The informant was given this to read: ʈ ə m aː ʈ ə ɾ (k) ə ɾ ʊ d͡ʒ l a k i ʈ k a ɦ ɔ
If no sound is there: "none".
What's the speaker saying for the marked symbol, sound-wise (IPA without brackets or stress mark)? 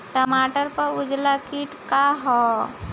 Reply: p